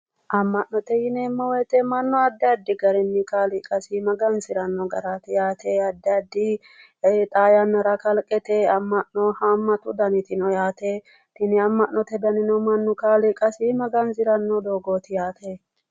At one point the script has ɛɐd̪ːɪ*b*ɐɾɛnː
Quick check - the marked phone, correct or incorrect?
incorrect